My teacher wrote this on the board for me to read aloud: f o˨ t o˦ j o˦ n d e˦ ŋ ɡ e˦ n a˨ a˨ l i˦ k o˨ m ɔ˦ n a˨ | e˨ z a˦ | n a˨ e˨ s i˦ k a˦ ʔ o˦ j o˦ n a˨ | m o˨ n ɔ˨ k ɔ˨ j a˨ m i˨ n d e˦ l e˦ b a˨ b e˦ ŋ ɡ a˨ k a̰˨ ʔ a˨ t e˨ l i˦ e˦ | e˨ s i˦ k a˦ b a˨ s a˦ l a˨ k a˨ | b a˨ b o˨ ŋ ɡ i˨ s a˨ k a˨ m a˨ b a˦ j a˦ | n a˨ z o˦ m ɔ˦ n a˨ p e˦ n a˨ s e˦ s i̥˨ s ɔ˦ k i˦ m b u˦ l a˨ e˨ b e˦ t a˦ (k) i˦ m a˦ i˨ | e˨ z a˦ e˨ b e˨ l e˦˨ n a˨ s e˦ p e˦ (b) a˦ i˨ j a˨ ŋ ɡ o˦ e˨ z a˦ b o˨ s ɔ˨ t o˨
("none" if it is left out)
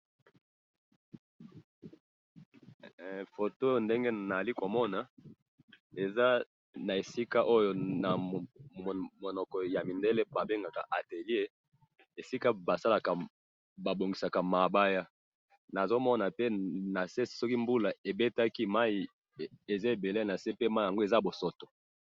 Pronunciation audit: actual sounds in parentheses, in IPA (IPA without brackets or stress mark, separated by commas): k, m